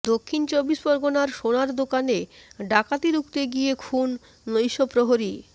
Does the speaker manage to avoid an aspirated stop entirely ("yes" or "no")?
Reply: no